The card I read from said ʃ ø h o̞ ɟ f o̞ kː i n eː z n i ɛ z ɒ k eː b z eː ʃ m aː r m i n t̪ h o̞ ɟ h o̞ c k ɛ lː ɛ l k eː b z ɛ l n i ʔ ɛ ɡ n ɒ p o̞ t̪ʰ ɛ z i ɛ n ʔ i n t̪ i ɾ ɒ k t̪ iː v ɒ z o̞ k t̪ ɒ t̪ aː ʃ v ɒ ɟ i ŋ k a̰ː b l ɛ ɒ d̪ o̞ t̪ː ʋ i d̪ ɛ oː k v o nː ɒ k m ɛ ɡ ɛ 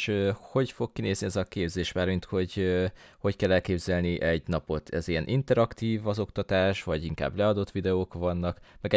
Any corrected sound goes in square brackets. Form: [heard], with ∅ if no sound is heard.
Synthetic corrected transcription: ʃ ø h o̞ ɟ f o̞ kː i n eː z n i ɛ z ɒ k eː b z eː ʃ m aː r m i n t̪ h o̞ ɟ h o̞ c k ɛ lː ɛ l k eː b z ɛ l n i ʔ ɛ [ɟ] n ɒ p o̞ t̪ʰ ɛ z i ɛ n ʔ i n t̪ [ɛ] ɾ ɒ k t̪ iː v ɒ z o̞ k t̪ ɒ t̪ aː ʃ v ɒ ɟ i ŋ k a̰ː b l ɛ ɒ d̪ o̞ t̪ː ʋ i d̪ ɛ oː k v [ɒ] nː ɒ k m ɛ ɡ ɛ